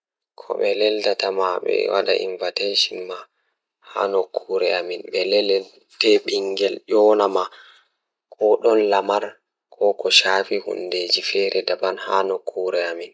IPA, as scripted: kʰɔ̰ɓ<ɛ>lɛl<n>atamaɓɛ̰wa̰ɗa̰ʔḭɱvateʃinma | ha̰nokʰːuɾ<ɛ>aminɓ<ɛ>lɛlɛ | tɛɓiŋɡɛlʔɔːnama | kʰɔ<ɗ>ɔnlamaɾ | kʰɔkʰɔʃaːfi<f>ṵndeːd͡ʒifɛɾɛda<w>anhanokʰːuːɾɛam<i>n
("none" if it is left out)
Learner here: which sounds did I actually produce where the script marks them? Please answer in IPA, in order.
ɛ, d, ɛ, ɛ, ɗ, h, b, i

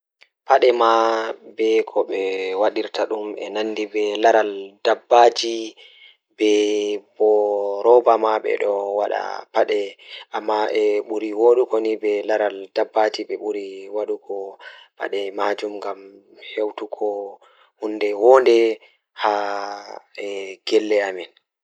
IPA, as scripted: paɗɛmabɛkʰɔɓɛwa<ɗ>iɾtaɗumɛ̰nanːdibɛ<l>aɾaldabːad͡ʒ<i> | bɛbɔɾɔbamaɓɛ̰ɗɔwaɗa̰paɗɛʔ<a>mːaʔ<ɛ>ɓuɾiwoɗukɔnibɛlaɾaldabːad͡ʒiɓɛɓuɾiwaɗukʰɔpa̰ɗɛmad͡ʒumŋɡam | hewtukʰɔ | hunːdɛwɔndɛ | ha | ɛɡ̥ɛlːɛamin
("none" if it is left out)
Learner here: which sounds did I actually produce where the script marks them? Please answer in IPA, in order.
ɗ, l, i, a, ɛ

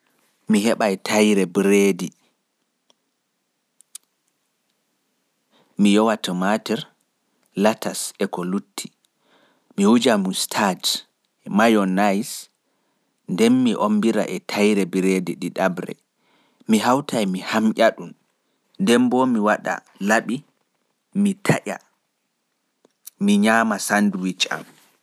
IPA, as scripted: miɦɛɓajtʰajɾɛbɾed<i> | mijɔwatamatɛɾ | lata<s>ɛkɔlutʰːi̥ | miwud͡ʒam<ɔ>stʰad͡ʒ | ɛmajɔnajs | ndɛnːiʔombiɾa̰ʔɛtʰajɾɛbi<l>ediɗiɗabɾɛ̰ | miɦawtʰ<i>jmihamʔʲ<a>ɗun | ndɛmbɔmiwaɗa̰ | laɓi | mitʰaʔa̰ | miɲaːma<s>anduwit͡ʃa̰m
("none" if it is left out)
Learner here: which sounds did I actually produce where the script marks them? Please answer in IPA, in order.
i, s, u, ɾ, a, a, s

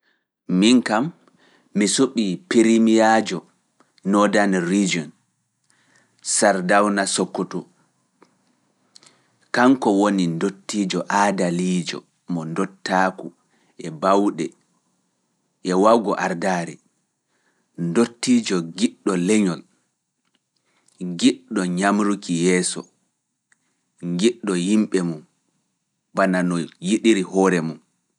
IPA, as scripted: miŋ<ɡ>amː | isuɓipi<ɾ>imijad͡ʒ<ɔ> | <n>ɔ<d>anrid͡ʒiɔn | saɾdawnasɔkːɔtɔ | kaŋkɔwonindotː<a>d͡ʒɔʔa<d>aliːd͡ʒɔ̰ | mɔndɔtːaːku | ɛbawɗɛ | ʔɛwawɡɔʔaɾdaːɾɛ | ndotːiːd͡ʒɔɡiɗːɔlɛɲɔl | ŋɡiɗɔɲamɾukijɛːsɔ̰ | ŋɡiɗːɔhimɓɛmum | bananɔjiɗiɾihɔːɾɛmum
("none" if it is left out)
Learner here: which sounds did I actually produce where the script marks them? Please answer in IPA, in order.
k, ɾ, ɔ, n, d, i, d

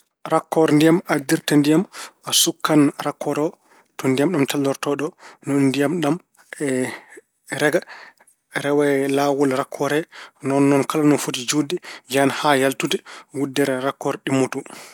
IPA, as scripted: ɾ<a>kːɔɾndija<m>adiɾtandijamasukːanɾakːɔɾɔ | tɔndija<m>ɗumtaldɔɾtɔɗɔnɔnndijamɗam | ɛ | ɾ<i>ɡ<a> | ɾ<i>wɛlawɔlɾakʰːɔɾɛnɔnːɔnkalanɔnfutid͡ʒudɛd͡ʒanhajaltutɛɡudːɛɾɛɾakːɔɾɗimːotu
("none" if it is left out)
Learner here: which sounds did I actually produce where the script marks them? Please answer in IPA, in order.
a, m, m, ɛ, a, ɛ

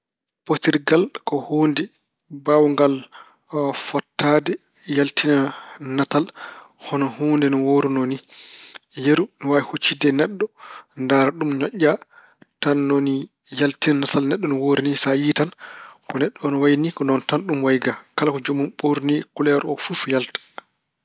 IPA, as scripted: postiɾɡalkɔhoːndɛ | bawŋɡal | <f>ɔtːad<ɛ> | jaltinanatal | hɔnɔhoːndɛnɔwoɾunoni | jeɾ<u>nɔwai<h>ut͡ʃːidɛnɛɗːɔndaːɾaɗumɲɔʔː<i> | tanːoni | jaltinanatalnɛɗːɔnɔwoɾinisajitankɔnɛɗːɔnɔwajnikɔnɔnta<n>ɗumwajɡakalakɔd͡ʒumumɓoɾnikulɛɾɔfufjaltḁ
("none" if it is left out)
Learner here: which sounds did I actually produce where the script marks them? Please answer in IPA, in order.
f, ɛ, u, h, a, n

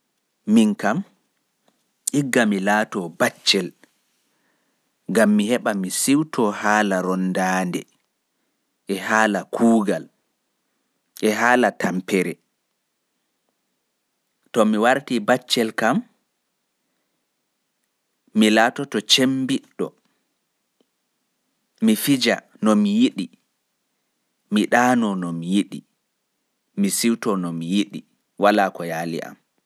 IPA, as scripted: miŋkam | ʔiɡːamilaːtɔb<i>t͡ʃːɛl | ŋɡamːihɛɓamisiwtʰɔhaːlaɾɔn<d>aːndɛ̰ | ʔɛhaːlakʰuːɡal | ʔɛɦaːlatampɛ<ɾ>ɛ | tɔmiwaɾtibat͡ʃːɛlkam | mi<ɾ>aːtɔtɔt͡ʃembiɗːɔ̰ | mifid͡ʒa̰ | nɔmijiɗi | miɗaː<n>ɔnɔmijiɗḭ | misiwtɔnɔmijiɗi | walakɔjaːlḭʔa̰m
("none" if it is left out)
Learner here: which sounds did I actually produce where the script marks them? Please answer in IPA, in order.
a, d, ɾ, l, n

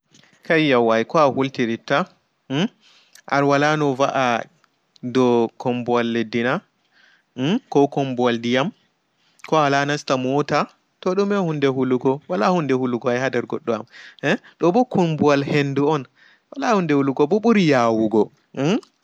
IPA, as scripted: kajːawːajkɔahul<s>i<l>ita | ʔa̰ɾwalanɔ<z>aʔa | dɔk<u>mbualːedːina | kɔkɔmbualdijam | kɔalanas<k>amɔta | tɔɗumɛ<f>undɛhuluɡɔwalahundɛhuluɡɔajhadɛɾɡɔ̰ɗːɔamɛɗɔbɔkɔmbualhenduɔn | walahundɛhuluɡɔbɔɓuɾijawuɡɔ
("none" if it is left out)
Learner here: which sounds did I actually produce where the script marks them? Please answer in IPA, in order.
t, ɾ, v, ɔ, t, h

